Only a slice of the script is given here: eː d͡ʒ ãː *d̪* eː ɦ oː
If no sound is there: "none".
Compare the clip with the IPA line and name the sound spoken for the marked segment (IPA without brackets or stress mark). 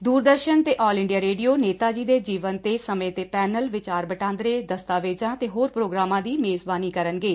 t̪